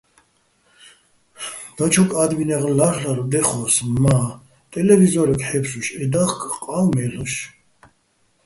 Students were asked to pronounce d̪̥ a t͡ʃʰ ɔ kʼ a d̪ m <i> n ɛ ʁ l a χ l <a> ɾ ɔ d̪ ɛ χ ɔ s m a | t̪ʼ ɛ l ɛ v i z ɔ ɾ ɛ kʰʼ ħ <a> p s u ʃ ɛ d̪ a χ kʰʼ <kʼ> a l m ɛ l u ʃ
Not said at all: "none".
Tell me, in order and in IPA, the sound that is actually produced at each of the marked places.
i, a, ɛ, qʼ

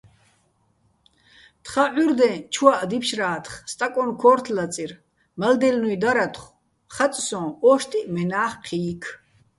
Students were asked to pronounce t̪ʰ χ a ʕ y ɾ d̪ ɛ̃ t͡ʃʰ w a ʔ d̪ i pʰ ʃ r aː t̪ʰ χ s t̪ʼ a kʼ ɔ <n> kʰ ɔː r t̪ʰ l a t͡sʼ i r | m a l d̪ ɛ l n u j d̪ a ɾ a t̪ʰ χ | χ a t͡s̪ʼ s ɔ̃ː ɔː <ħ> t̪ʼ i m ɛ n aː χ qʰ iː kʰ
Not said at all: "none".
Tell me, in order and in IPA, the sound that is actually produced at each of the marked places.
n, ʃ

